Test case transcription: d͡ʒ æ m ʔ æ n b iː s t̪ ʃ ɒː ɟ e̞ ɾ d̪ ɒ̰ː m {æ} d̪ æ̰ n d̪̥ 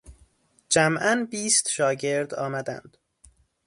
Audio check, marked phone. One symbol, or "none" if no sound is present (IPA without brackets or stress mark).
æ